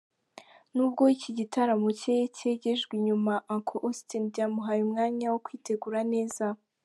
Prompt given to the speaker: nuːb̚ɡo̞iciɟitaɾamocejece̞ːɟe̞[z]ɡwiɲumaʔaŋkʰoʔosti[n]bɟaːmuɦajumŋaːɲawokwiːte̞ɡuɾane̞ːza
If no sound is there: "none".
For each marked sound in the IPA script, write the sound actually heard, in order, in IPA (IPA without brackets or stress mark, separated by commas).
ʒ, n